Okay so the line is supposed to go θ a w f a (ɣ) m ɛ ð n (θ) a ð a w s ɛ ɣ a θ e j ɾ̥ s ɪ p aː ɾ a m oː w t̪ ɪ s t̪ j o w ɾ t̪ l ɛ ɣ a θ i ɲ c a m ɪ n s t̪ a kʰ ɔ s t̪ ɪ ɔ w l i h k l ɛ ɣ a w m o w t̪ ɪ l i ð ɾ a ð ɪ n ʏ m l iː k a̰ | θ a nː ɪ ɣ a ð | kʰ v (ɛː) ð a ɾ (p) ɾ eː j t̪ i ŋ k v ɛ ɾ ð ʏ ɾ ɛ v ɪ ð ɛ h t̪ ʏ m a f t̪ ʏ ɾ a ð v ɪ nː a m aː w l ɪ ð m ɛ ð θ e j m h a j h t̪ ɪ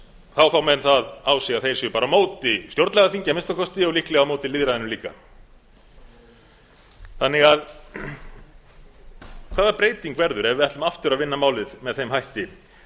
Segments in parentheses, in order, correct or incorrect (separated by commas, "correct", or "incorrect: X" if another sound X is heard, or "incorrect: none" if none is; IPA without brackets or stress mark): incorrect: w, correct, incorrect: aː, correct